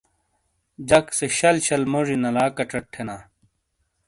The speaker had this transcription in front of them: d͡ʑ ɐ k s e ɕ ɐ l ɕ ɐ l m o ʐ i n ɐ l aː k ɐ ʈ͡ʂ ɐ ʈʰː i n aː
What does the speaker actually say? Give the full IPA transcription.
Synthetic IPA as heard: d͡ʑ ɐ k s e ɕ ɐ l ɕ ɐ l m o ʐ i n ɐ l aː k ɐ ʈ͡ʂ ɐ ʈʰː e n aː